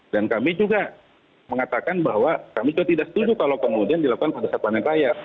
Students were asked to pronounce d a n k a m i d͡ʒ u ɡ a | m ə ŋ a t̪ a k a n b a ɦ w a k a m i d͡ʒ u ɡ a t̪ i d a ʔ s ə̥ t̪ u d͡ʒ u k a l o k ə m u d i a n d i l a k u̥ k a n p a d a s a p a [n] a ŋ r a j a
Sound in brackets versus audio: correct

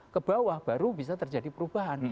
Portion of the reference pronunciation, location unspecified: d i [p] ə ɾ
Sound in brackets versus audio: correct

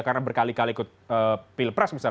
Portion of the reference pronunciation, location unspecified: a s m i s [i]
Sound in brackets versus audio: incorrect: a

